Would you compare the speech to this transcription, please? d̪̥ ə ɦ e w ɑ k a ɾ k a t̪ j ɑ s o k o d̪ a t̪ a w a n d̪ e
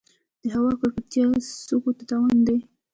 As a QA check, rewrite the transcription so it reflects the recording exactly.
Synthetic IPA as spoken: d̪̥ ə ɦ a w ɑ k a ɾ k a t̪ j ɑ s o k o t̪ a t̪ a w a n d̪ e